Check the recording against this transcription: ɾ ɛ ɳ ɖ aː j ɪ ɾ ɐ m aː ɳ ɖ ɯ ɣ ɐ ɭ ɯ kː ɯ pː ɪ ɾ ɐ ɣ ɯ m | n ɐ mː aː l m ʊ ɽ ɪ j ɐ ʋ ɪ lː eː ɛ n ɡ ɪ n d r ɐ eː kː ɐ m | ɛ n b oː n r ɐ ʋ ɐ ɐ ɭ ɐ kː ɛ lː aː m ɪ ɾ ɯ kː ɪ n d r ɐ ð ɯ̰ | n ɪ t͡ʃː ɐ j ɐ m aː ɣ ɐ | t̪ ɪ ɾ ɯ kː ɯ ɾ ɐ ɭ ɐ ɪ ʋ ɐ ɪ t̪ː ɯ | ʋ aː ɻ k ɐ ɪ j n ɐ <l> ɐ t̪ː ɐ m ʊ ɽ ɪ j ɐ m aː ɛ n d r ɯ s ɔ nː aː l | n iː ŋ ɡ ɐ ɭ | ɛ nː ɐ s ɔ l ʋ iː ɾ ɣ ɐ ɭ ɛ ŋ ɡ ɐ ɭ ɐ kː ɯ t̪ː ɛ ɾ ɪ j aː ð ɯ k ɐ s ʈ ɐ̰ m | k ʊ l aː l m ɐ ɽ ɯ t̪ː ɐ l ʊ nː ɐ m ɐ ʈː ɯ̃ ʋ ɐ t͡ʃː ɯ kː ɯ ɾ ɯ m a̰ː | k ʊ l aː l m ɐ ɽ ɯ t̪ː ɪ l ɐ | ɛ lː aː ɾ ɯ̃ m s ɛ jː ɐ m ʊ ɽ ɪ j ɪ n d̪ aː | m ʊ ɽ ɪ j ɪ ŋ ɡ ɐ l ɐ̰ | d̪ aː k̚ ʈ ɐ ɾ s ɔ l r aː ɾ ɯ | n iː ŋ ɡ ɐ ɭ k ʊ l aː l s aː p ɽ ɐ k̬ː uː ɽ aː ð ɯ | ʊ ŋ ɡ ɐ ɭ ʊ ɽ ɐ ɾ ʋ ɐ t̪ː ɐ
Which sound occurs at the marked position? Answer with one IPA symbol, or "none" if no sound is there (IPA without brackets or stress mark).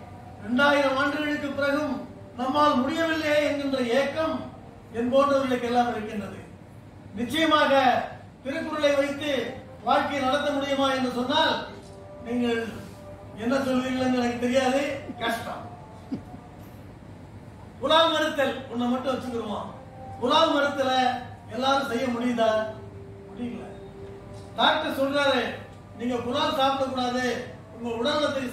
ɽ